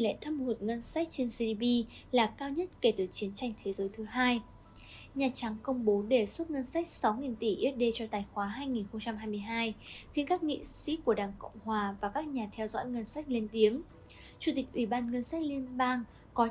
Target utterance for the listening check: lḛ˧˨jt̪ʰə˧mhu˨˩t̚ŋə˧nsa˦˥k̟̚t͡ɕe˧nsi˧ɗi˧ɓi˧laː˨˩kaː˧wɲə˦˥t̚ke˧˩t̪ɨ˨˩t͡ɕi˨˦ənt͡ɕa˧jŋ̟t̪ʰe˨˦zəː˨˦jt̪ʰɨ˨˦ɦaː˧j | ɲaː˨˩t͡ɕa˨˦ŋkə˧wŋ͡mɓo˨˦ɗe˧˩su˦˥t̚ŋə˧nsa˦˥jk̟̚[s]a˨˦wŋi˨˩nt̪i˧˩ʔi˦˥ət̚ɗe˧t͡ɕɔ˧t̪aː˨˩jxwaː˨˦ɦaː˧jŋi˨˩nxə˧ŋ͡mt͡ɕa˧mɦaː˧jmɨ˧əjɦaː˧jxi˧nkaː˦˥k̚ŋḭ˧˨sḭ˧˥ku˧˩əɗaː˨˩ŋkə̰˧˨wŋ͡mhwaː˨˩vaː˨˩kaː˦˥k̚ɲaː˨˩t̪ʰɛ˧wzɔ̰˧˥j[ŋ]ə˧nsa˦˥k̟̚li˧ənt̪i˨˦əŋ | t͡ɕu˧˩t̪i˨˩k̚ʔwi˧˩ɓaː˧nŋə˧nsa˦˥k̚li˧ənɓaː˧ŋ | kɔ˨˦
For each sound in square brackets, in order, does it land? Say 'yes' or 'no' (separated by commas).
yes, yes